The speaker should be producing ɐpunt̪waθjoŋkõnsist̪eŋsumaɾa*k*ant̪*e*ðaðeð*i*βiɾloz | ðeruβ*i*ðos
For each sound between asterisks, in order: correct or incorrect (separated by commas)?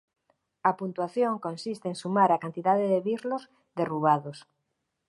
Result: correct, incorrect, incorrect, incorrect